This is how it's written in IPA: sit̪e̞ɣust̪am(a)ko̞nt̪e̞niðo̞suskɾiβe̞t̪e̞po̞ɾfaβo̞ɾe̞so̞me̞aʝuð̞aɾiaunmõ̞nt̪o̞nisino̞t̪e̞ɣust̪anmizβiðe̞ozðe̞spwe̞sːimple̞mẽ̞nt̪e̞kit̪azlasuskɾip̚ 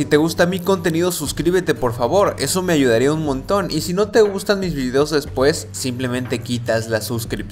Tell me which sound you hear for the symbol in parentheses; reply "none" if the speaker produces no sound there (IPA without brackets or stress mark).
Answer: i